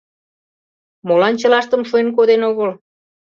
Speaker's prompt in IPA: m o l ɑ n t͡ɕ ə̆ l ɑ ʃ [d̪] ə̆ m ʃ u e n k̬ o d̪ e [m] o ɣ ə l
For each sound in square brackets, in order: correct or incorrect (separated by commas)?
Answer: incorrect, incorrect